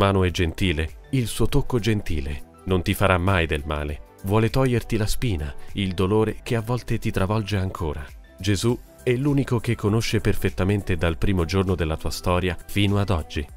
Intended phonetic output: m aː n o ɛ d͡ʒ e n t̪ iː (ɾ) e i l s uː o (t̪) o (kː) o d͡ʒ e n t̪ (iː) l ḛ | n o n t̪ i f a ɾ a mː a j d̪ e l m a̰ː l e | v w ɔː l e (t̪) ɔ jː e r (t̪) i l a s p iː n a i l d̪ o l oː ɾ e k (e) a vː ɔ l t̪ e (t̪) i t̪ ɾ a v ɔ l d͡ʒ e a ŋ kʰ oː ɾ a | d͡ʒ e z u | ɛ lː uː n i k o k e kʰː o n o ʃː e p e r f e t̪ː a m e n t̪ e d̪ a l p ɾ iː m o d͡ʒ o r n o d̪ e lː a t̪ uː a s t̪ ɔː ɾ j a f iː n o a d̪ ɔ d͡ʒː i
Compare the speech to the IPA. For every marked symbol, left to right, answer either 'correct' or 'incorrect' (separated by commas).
incorrect, correct, correct, correct, correct, correct, correct, correct